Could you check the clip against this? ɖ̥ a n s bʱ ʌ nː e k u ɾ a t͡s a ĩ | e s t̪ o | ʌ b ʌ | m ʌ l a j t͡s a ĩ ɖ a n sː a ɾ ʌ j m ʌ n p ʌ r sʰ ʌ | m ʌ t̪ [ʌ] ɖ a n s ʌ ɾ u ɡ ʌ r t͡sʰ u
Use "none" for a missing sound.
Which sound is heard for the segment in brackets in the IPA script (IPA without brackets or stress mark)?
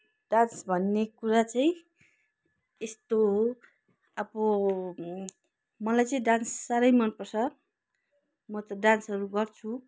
ʌ